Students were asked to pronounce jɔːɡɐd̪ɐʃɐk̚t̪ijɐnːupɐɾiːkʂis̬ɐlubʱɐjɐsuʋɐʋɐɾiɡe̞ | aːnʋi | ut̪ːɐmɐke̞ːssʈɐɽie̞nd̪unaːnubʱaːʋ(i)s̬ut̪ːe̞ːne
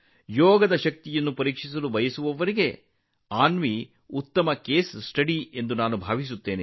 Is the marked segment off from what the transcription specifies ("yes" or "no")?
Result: no